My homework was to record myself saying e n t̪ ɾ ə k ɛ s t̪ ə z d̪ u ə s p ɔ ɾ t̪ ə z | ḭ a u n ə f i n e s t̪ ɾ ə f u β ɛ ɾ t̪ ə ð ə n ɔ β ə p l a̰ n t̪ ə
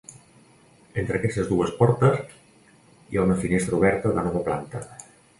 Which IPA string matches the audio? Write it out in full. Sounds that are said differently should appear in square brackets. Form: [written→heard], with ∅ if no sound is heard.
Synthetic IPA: e n t̪ ɾ ə k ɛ s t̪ ə z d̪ u ə s p ɔ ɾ t̪ ə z | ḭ a u n ə f i n e s t̪ ɾ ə [f→∅] u β ɛ ɾ t̪ ə ð ə n ɔ β ə p l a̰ n t̪ ə